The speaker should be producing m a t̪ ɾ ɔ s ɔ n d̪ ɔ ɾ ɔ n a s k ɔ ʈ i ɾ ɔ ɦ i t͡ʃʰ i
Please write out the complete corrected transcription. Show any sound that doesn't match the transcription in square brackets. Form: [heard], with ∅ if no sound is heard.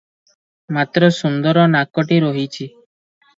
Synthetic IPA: m a t̪ ɾ ɔ s [u] n d̪ ɔ ɾ ɔ n a [∅] k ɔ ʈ i ɾ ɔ ɦ i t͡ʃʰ i